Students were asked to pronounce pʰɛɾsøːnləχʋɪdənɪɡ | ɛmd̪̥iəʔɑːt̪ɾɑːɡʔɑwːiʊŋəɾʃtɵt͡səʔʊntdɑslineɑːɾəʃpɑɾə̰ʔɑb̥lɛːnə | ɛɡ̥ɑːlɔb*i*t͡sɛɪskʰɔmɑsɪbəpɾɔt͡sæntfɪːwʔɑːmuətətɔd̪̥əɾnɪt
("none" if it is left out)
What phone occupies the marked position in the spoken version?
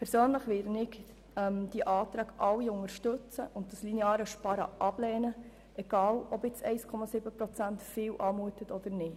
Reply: ɪ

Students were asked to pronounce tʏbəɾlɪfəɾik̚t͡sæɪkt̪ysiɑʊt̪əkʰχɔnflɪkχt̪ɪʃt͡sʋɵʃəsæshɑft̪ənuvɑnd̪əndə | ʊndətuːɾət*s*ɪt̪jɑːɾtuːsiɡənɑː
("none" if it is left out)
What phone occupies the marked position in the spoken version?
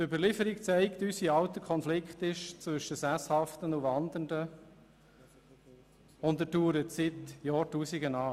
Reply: s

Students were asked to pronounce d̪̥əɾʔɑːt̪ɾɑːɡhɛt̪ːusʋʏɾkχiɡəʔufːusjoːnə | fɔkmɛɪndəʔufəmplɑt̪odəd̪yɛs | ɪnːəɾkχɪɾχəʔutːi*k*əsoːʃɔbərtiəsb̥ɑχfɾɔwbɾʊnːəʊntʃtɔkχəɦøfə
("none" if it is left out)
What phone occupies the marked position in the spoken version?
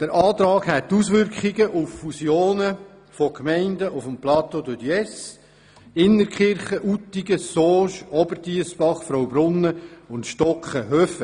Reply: ɡ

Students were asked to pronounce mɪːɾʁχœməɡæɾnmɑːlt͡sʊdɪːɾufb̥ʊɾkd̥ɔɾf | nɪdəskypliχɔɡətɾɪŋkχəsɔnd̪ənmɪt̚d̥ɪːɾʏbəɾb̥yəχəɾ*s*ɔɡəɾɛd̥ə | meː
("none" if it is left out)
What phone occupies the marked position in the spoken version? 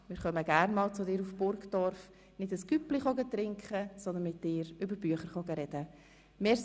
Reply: χ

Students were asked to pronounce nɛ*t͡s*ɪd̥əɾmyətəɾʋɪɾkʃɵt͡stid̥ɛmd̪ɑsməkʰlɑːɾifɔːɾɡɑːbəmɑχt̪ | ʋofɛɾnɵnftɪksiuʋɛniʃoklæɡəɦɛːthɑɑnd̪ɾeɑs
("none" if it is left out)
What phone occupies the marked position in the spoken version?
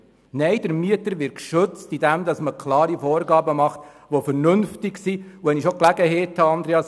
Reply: none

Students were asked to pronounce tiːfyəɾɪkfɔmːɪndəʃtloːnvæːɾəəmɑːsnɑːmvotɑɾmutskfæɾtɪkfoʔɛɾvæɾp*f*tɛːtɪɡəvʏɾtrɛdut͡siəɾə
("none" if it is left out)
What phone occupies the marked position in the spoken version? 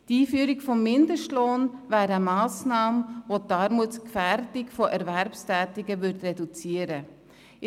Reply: s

